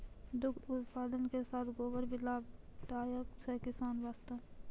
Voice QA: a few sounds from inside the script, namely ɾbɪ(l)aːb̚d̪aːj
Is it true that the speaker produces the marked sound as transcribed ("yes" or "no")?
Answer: yes